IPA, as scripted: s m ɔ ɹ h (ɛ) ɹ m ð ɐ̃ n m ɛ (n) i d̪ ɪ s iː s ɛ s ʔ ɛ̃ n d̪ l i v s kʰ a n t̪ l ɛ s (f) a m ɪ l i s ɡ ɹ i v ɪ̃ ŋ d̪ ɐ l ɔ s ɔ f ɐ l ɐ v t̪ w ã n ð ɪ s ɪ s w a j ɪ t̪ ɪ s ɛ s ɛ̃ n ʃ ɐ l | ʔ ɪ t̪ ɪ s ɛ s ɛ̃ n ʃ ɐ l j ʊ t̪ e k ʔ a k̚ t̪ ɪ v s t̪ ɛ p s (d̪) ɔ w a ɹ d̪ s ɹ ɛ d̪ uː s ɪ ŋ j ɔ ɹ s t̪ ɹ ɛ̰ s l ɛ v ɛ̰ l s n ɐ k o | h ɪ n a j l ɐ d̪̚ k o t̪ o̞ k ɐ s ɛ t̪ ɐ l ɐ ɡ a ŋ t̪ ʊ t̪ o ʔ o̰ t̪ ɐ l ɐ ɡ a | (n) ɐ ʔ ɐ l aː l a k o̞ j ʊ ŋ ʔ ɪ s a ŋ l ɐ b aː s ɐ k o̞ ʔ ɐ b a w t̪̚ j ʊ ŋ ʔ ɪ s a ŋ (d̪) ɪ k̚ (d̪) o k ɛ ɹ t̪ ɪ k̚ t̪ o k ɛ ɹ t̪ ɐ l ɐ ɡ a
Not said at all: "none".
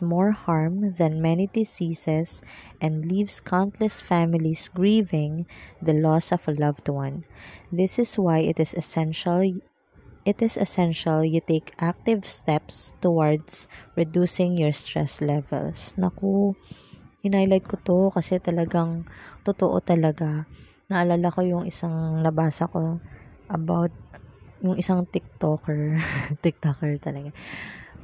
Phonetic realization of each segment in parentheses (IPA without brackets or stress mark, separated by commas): a, n, f, t̪, n, t̪, t̪